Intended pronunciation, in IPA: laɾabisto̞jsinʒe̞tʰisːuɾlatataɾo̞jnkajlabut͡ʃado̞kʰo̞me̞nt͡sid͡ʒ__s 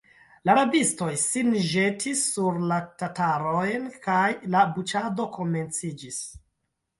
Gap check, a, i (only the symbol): i